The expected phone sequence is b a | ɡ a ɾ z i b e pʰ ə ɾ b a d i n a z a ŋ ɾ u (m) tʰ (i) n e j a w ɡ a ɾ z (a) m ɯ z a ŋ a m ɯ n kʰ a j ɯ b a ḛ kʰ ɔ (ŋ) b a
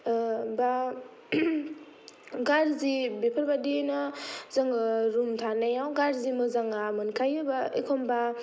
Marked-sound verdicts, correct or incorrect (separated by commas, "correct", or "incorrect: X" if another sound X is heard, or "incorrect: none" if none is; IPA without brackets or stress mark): correct, incorrect: a, incorrect: i, incorrect: m